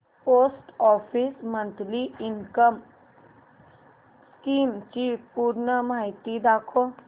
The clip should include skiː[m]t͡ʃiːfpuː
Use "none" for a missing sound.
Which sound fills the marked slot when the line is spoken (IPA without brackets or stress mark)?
m